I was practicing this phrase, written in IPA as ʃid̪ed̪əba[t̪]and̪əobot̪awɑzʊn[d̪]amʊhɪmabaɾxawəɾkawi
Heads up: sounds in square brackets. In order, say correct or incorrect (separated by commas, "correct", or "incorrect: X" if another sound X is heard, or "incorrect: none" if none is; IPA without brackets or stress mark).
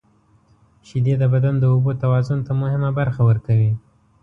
incorrect: d̪, incorrect: t̪